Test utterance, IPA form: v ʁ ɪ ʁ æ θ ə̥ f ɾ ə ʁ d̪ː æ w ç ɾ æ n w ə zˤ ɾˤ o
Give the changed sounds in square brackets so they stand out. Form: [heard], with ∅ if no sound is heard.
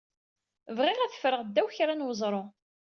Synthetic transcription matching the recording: v ʁ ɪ ʁ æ θ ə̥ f ɾ ə ʁ d̪ː æ w ç ɾ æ n w ə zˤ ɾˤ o